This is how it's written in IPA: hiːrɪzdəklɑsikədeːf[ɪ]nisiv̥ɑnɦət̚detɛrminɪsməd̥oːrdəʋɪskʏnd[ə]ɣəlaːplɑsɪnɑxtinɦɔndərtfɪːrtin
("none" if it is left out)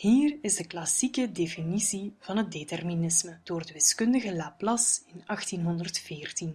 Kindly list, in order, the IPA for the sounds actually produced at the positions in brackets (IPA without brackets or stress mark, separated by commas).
i, ə